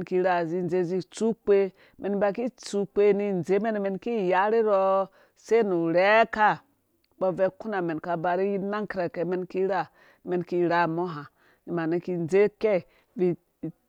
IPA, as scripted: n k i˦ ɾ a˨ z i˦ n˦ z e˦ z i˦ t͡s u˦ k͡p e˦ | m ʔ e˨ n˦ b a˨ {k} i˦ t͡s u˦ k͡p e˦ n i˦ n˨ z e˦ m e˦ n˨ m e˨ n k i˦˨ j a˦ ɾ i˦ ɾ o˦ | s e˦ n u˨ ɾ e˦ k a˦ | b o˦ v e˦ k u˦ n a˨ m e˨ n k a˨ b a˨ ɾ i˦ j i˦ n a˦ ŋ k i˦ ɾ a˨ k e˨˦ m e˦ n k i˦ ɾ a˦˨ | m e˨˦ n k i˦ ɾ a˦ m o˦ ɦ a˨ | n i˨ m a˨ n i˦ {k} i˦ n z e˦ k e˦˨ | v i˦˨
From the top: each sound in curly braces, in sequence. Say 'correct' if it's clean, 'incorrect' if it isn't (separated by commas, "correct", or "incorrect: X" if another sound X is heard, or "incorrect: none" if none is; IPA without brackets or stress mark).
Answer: correct, correct